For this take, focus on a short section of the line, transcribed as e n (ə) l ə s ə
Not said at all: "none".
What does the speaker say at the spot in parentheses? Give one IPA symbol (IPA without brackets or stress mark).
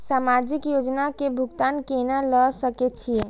a